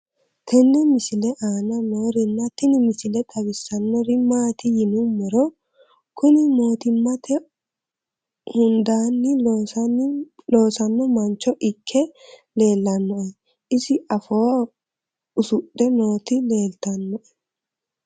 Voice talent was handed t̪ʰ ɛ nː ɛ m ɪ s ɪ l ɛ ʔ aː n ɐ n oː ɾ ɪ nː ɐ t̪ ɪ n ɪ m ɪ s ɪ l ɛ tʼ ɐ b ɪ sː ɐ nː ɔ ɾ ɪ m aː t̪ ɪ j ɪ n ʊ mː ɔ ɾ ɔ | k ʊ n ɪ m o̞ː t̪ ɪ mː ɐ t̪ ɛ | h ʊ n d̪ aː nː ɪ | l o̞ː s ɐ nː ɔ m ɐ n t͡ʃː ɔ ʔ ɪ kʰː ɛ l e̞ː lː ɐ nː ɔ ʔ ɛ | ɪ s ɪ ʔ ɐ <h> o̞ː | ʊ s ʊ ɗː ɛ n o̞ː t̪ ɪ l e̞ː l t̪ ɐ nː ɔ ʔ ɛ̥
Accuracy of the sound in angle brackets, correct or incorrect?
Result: incorrect: f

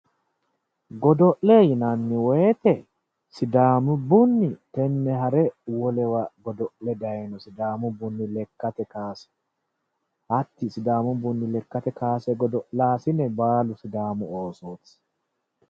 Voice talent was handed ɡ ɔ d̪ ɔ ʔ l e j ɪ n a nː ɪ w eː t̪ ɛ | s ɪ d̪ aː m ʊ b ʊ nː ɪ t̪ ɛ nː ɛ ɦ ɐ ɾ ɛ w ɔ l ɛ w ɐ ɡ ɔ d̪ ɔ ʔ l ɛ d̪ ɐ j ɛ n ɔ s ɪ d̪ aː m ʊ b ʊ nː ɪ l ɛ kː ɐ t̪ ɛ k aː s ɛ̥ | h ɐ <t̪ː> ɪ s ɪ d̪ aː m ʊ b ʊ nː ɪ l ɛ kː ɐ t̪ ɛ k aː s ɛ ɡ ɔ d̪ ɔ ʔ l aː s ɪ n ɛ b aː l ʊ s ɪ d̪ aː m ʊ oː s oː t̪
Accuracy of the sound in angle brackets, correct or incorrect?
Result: correct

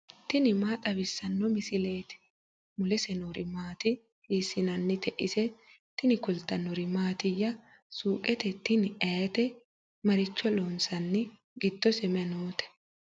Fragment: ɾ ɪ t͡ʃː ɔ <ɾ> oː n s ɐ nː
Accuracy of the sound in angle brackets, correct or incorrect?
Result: incorrect: l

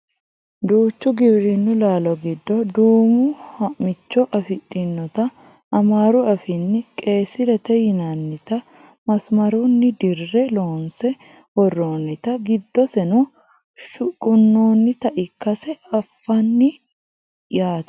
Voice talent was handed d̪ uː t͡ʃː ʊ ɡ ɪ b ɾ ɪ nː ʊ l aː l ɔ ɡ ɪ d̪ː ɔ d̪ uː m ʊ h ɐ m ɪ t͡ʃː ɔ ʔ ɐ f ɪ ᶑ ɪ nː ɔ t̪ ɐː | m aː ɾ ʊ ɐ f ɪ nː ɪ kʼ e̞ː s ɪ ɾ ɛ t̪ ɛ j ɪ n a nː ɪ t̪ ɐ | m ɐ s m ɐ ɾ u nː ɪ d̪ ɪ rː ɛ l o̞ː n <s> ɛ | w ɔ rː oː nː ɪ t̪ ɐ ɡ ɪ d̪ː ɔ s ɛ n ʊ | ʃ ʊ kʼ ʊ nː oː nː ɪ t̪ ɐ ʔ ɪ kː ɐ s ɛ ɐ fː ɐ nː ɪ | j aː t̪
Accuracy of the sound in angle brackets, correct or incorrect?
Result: correct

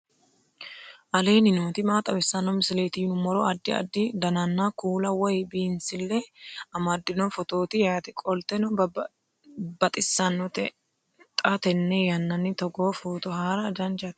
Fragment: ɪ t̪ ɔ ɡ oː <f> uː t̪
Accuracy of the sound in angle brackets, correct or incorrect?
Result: correct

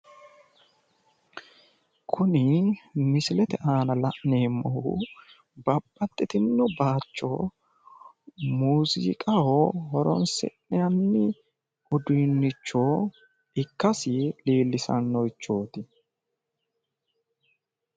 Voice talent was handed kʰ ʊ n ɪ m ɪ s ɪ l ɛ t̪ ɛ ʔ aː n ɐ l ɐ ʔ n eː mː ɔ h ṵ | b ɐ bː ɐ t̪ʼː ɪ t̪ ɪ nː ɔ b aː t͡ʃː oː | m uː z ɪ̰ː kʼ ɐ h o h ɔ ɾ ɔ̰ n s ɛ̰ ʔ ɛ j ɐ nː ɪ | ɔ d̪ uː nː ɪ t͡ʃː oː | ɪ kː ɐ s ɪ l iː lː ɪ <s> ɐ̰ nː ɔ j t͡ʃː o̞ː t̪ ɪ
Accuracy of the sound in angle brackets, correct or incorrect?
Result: correct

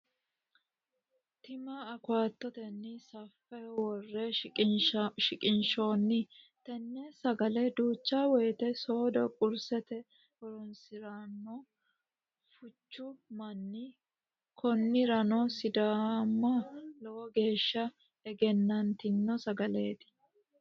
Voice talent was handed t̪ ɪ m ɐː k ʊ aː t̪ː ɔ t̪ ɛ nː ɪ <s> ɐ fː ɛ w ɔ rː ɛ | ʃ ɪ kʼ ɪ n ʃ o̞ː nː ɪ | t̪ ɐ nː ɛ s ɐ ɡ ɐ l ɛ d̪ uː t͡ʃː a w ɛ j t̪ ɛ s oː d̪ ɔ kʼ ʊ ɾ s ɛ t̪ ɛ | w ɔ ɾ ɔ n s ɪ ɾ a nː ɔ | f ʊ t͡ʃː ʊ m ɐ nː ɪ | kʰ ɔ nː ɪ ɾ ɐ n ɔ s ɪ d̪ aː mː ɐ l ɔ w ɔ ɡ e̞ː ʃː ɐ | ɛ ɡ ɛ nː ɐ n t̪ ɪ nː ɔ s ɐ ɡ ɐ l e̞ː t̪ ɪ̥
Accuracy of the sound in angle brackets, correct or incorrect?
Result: correct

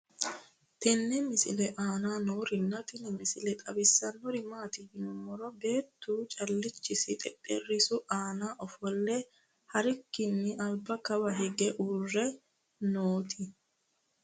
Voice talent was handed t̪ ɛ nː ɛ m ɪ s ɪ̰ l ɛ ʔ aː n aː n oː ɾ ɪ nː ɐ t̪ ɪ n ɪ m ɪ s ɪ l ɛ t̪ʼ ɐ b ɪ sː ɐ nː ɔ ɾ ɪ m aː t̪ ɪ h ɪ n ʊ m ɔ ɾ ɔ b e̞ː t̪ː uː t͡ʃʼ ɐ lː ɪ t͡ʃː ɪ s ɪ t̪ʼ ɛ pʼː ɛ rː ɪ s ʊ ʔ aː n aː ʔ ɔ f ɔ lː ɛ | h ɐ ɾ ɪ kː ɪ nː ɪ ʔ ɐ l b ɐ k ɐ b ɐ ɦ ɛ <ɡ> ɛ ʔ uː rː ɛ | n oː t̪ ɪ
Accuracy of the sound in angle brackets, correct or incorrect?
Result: correct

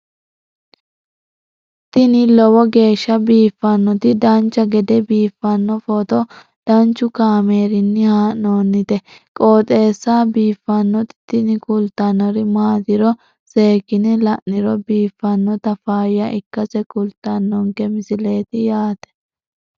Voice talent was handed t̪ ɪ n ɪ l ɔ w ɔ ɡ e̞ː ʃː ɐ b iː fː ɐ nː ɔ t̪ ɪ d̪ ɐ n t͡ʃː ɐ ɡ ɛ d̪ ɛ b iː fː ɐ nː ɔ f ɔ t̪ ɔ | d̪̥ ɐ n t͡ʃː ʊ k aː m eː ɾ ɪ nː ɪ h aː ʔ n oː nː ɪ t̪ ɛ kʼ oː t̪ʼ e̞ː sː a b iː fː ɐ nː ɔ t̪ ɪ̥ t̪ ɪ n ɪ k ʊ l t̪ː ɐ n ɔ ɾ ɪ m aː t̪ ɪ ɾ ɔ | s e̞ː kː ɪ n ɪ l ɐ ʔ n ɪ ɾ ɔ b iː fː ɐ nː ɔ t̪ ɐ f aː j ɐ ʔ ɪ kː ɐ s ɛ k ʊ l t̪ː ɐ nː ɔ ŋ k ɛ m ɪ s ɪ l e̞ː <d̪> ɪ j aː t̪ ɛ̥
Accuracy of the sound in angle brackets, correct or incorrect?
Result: incorrect: t̪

